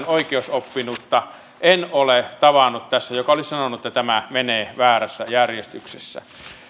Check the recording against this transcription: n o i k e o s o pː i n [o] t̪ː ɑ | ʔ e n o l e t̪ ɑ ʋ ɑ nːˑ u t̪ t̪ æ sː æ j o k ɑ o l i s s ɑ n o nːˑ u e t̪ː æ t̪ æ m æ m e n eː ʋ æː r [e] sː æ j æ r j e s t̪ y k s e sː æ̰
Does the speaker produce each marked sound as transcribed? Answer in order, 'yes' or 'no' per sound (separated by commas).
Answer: no, no